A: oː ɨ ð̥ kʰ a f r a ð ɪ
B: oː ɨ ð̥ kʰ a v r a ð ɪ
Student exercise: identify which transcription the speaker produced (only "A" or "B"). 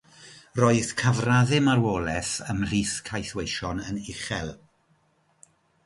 B